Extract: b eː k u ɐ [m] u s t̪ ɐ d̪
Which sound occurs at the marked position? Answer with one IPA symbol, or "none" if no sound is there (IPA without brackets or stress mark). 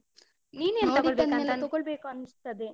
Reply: n